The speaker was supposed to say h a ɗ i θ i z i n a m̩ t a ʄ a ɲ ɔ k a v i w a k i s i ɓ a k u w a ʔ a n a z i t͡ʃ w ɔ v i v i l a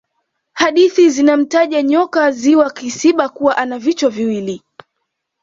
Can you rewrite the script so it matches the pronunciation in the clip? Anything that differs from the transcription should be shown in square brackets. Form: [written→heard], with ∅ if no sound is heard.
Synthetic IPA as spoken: h a ɗ i θ i z i n a m̩ t a ʄ a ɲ ɔ k a [v→z] i w a k i s i ɓ a k u w a ʔ a n a [z→v] i t͡ʃ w ɔ v i [v→w] i l [a→i]